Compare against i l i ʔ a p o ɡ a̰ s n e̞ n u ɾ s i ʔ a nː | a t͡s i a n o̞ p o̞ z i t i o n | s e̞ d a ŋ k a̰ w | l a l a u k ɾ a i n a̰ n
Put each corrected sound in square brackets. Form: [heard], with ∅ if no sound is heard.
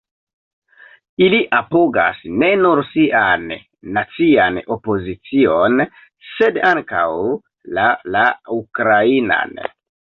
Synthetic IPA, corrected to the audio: i l i ʔ a p o ɡ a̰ s n e̞ n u ɾ s i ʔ a nː | a t͡s i a n o̞ p o̞ z i [t͡s] i o n | s e̞ d a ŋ k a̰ w | l a l a u k ɾ a i n a̰ n